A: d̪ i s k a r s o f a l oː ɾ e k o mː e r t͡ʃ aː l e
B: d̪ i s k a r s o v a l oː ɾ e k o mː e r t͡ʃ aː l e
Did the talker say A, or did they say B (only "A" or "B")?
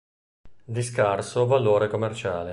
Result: B